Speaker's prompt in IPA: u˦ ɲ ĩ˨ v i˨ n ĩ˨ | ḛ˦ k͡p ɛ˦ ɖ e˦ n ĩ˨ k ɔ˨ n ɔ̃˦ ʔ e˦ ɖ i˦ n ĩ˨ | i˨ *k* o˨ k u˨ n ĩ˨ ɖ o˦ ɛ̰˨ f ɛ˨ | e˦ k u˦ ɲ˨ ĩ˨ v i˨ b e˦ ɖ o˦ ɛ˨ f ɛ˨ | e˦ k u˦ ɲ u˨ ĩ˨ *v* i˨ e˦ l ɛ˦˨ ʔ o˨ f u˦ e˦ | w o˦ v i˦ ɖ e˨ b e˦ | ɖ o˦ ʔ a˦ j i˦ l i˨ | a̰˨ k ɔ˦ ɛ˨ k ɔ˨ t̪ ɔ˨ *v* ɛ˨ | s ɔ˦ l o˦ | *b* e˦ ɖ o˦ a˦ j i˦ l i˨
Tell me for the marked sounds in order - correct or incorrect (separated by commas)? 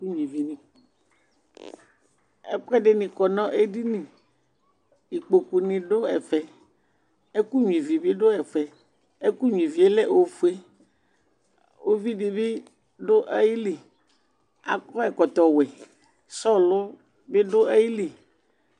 incorrect, correct, incorrect, correct